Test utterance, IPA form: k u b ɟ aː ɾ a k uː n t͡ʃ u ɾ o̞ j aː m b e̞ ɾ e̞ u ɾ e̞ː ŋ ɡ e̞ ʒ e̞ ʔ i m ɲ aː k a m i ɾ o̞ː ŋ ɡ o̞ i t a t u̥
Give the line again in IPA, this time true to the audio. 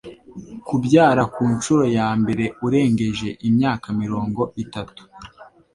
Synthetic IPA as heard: k u b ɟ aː ɾ a k uː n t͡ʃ u ɾ o̞ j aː m b e̞ ɾ e̞ u ɾ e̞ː ŋ ɡ e̞ ʒ e̞ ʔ i m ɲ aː k a m i ɾ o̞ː ŋ ɡ o̞ i t a t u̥